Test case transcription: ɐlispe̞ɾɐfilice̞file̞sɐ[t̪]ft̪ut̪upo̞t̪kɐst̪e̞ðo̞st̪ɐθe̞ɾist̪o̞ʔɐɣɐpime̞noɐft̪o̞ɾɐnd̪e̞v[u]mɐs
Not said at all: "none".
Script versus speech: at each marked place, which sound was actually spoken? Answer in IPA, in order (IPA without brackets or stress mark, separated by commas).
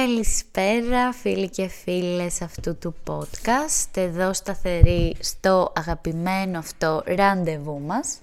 none, u